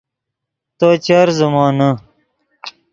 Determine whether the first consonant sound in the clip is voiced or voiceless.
voiceless